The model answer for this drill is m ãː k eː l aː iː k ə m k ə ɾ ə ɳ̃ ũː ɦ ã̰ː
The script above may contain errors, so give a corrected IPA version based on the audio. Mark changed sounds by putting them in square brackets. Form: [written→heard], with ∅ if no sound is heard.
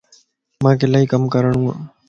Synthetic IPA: m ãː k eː l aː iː k ə m k ə ɾ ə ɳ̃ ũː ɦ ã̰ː